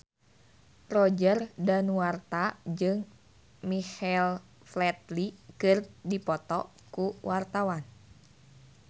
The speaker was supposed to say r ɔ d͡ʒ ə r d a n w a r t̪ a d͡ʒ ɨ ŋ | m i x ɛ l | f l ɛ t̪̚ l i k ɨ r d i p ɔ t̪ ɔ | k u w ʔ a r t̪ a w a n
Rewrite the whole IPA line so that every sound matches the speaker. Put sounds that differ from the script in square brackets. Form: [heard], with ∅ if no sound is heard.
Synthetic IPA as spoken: r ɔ d͡ʒ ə r d a n w a r t̪ a d͡ʒ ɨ ŋ | m i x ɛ l | f l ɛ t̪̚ l i k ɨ r d i p ɔ t̪ ɔ | k u w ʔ a r t̪ a w a n

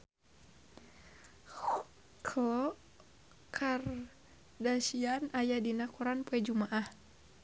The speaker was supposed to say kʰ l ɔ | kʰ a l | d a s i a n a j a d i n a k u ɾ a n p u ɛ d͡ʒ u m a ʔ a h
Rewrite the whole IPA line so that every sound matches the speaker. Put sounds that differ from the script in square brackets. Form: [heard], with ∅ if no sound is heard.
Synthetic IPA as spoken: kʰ l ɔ | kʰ a [r] | d a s i a n a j a d i n a k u ɾ a n p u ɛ d͡ʒ u m a ʔ a h

